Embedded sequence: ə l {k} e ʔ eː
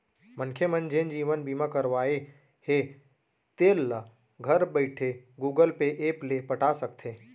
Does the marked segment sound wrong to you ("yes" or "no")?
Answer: yes